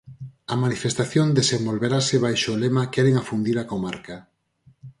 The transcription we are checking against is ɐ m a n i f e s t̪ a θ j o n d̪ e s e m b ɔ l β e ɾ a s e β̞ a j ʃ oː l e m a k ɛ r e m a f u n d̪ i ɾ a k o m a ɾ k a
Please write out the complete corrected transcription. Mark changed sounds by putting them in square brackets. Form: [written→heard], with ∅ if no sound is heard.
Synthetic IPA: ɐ m a n i f e s t̪ a θ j o n d̪ e s e m b [ɔ→o] l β e ɾ a s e β̞ a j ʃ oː l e m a k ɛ [r→ɾ] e [m→ŋ] a f u n d̪ i ɾ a k o m a ɾ k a